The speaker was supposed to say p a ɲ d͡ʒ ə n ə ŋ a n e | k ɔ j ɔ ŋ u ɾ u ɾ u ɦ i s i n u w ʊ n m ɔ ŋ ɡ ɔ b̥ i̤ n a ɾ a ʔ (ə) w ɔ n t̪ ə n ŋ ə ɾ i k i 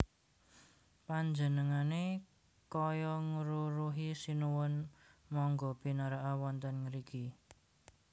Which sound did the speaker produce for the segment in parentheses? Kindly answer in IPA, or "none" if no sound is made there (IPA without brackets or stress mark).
a